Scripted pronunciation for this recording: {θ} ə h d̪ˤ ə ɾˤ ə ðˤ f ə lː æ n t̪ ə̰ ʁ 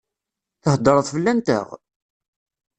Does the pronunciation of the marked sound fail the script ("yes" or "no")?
no